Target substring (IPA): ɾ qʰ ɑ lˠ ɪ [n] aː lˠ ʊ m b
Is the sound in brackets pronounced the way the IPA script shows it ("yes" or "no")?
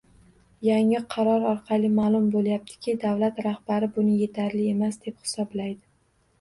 no